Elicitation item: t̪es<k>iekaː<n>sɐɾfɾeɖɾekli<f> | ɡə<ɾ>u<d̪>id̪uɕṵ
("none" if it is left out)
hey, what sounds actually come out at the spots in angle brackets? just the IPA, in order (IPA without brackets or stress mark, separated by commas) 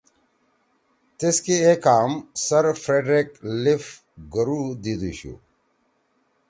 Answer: k, m, f, ɾ, d̪